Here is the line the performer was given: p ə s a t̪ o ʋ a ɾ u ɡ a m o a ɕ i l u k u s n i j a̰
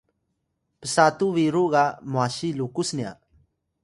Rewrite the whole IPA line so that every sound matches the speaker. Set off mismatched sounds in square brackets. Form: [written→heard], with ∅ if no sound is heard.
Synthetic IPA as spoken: p ə s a t̪ [o→u] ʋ [a→i] ɾ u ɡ a m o a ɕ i l u k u s n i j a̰

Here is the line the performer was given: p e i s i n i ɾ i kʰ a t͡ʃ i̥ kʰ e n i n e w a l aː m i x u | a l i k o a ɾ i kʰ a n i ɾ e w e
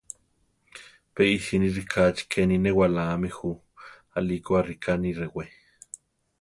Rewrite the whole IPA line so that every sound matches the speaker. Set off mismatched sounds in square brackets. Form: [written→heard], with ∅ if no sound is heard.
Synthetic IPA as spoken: p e i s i n i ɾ i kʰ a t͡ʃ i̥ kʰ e n i n e w a l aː m i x u | a l i k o a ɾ i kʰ a n i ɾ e w e

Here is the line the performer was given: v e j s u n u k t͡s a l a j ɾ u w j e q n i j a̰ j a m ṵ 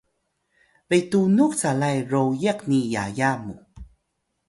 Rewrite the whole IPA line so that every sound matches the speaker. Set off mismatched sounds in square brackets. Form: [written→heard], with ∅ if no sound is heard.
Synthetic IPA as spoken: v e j [s→t] u n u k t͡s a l a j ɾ [u→o] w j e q n i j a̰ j a m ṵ

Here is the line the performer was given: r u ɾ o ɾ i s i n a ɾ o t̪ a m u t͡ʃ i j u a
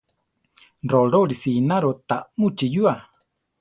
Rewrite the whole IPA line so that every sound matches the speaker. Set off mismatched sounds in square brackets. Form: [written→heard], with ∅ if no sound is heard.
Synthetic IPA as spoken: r [u→o] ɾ o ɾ i s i n a ɾ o t̪ a m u t͡ʃ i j u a

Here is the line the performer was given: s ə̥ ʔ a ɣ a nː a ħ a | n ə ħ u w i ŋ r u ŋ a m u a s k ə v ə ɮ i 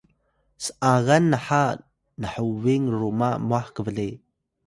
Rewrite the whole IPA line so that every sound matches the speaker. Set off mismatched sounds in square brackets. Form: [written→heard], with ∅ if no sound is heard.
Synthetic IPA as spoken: s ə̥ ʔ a ɣ a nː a ħ a | n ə ħ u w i ŋ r u [ŋ→m] a m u a [s→ħ] k ə v ə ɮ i

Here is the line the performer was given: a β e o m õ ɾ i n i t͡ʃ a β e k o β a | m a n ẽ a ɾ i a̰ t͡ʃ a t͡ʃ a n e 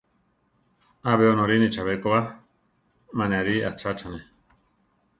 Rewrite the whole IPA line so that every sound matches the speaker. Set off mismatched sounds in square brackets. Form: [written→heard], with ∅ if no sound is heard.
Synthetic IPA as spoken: a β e o [m→n] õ ɾ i n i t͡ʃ a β e k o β a | m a n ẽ a ɾ i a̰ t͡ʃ a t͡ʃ a n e

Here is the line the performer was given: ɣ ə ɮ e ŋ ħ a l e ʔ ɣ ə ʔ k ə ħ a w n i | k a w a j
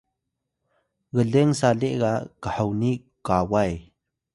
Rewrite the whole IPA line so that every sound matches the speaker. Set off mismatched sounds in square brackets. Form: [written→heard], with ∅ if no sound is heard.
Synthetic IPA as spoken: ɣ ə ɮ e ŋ [ħ→s] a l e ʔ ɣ [ə→a] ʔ k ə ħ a w n i | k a w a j

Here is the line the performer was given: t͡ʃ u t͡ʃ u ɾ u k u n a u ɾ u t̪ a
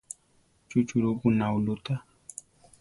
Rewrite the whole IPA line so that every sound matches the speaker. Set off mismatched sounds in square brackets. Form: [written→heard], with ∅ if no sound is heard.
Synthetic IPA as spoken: t͡ʃ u t͡ʃ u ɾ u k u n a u [ɾ→l] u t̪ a

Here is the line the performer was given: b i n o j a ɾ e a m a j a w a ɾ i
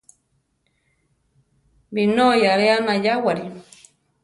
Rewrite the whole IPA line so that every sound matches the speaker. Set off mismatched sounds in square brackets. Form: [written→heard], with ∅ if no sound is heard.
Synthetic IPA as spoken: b i n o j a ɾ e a [m→n] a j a w a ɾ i

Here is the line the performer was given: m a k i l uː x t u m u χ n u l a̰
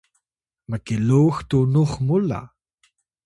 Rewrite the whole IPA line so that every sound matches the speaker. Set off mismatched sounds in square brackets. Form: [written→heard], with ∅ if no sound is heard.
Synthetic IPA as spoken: m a k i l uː x t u [m→n] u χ [n→m] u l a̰

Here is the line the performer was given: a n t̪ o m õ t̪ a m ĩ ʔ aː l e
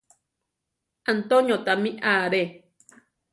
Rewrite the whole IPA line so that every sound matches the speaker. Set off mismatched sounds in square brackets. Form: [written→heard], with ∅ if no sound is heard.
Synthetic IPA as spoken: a n t̪ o [m→ɲ] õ t̪ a m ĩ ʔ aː [l→ɾ] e

